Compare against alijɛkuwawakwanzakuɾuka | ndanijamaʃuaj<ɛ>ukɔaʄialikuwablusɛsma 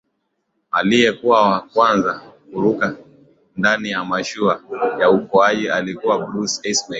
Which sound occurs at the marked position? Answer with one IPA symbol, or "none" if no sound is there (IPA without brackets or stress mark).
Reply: a